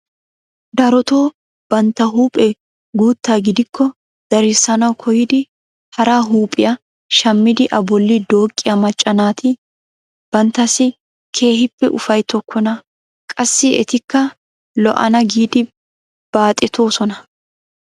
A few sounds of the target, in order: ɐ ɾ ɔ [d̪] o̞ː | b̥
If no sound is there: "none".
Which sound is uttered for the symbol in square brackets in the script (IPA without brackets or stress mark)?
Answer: t̪